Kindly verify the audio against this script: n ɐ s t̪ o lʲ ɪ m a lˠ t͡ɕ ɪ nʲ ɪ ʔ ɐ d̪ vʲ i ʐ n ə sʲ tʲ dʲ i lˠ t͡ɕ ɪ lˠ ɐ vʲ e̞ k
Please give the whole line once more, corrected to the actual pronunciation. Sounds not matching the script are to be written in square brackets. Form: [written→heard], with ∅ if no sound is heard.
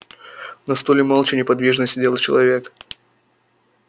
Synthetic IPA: n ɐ s t̪ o lʲ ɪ m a lˠ t͡ɕ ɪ nʲ ɪ [ʔ→p] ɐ d̪ vʲ i ʐ n ə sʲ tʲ dʲ [i→e] lˠ t͡ɕ ɪ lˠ ɐ vʲ e̞ k